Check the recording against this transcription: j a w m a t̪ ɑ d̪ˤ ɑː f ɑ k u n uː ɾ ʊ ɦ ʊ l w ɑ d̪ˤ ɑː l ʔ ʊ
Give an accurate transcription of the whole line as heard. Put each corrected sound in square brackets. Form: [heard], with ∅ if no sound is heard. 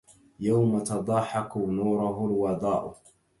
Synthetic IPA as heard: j a w m a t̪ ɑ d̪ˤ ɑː [ħ] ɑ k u n uː ɾ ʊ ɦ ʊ l w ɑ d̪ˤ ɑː [∅] ʔ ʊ